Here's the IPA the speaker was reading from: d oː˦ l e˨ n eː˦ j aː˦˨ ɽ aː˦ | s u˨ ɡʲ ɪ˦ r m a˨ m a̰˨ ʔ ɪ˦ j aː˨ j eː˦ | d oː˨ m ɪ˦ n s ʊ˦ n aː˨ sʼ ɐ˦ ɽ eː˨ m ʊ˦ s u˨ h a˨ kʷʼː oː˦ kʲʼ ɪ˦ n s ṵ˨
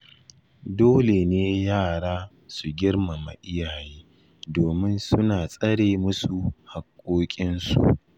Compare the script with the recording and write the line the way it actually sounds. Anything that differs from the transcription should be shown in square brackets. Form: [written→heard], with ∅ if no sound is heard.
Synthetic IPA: d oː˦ l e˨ n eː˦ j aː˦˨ ɽ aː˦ | s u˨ ɡʲ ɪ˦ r m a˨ m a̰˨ ʔ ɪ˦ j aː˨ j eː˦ | d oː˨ m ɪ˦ n s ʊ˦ n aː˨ sʼ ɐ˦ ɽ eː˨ m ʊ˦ s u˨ h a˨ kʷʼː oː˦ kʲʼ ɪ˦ n s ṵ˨